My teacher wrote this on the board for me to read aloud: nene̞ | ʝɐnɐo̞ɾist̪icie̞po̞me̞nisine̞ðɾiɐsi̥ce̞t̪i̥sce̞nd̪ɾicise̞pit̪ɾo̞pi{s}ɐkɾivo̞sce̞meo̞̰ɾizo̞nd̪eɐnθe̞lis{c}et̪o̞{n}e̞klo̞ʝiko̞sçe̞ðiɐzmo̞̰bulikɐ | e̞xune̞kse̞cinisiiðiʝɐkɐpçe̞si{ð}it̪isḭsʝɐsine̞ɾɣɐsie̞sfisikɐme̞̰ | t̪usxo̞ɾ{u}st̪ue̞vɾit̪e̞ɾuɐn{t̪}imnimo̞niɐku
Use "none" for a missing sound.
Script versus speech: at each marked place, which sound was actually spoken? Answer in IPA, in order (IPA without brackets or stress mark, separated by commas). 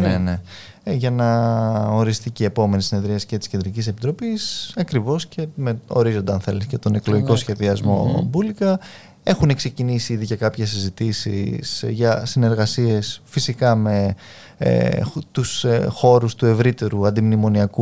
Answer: s, c, n, z, u, d̪